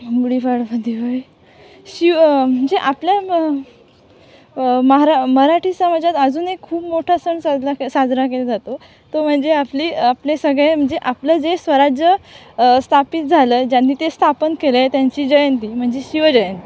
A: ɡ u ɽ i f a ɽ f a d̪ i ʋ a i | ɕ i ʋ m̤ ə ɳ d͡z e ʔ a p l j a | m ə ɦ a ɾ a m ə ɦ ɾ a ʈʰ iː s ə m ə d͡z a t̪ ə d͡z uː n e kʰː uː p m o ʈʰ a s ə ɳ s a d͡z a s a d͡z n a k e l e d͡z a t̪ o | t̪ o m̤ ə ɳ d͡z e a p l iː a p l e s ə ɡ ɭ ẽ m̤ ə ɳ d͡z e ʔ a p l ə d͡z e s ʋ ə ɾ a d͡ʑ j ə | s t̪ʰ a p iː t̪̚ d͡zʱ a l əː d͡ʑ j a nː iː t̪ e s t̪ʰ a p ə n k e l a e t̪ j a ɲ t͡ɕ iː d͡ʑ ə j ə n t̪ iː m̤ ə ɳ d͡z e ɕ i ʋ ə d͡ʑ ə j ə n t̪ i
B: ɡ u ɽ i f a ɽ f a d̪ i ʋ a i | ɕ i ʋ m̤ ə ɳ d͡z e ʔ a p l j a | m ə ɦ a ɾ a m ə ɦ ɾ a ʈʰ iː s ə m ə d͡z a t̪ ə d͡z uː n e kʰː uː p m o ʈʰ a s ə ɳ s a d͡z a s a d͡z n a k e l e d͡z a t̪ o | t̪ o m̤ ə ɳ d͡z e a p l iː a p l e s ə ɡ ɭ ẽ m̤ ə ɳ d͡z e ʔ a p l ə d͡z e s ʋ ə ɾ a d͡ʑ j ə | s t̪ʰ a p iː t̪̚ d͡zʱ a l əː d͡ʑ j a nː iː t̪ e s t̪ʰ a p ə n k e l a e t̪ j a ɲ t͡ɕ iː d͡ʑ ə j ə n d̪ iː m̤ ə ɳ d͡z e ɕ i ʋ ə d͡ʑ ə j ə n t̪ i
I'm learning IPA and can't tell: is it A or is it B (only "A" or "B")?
A